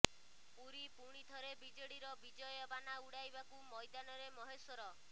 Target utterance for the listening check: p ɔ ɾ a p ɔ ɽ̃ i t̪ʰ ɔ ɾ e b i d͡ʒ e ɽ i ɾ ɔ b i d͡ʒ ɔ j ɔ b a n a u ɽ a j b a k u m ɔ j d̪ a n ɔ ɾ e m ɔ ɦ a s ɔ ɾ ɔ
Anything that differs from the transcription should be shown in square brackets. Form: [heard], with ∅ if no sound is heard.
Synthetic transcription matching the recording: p [u] ɾ [i] p [u] ɽ̃ i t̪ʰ ɔ ɾ e b i d͡ʒ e ɽ i ɾ ɔ b i d͡ʒ ɔ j ɔ b a n a u ɽ a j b a k u m ɔ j d̪ a n ɔ ɾ e m ɔ ɦ [e] s ɔ ɾ ɔ